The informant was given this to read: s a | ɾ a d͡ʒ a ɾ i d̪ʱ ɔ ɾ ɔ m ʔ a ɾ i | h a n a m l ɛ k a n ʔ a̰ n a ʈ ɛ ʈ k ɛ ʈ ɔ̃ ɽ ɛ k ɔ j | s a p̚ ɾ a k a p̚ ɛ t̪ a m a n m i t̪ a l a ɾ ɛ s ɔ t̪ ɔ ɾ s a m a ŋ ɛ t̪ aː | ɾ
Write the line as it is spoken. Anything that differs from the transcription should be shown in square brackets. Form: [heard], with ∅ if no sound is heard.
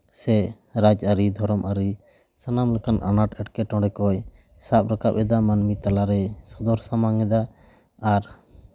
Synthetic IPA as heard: s [ɛ] | ɾ a d͡ʒ a ɾ i d̪ʱ ɔ ɾ ɔ m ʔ a ɾ i | [s] a n a m l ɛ k a n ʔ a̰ n a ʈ ɛ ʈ k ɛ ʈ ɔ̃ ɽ ɛ k ɔ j | s a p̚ ɾ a k a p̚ ɛ [d̪] a m a n m i t̪ a l a ɾ ɛ s ɔ [d̪] ɔ ɾ s a m a ŋ ɛ [d̪] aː | ɾ